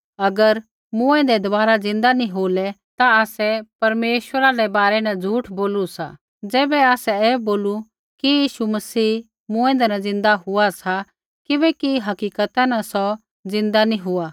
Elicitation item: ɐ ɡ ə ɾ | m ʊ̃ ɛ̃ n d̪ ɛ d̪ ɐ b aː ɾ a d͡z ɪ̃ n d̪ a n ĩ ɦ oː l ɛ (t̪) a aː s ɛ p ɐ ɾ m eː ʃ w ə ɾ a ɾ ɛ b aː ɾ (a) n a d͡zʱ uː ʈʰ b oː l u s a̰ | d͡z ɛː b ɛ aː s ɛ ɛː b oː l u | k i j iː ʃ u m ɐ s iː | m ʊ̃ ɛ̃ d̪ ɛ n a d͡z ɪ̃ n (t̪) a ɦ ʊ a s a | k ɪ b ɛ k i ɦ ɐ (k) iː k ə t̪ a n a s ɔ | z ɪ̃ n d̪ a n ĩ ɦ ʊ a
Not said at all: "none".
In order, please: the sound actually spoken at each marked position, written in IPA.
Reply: t̪, ɛ, d̪, k

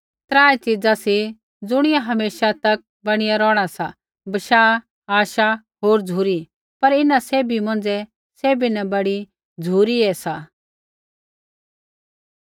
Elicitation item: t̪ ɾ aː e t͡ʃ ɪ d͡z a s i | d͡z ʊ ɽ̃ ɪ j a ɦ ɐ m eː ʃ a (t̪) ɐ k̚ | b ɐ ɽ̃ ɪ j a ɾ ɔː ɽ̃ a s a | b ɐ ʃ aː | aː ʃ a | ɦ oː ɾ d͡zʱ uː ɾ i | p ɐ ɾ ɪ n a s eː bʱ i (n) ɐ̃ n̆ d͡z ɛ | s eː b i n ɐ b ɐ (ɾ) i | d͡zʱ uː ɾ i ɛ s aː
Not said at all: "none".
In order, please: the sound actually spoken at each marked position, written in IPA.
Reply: t̪, m, ɽ

